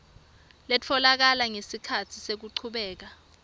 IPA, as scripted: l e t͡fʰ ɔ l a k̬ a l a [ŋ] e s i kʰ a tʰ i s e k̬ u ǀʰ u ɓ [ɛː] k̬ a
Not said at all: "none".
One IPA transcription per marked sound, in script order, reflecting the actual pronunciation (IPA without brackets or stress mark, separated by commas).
ŋ, ɛː